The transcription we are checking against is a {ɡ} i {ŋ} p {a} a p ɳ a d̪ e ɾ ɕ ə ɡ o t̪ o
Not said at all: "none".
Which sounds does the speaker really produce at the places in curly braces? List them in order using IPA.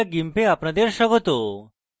ɡ, m, e

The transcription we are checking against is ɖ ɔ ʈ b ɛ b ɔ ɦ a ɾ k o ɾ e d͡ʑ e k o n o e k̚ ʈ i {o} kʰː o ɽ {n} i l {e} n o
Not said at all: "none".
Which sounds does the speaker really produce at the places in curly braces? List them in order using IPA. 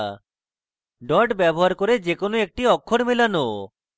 ɔ, m, a

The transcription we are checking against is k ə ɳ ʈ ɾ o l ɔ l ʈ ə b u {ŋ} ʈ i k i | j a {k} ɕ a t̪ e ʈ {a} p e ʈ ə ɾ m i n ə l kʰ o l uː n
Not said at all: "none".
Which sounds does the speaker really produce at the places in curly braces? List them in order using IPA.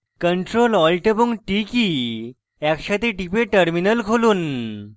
ŋ, k, i

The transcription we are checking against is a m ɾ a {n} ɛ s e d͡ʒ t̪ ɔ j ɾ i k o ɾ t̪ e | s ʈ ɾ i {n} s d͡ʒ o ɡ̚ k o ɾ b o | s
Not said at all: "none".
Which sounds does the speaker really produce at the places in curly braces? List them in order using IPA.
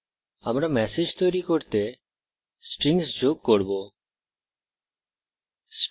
m, ŋ

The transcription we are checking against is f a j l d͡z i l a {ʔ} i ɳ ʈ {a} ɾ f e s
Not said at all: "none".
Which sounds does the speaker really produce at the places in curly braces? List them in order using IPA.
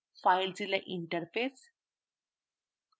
ʔ, ə

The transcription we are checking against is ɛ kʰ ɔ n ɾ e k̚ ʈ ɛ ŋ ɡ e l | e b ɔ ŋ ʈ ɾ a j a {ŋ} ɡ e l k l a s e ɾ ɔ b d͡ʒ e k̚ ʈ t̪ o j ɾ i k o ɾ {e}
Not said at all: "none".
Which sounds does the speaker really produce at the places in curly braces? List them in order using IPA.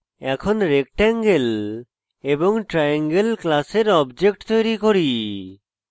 ŋ, i

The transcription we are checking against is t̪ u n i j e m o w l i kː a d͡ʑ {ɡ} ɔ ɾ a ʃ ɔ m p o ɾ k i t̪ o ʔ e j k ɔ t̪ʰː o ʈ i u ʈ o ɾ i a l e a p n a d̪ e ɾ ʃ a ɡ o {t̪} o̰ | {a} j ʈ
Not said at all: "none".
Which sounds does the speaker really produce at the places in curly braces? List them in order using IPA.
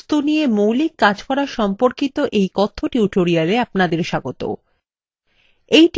k, t̪, e

